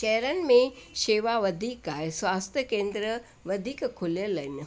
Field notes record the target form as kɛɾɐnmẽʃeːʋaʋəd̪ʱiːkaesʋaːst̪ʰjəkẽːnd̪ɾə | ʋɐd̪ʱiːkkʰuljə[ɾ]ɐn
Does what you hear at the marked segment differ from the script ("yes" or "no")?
yes